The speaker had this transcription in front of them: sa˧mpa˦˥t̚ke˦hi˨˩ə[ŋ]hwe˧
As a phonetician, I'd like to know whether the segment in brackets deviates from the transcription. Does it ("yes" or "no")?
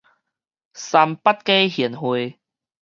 yes